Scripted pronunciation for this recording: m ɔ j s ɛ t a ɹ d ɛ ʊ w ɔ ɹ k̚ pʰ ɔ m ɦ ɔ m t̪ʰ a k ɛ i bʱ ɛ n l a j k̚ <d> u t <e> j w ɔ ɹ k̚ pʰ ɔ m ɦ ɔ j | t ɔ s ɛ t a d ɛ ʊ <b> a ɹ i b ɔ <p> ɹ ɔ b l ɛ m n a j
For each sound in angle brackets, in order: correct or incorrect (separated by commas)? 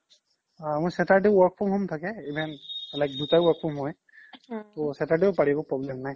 correct, incorrect, incorrect, correct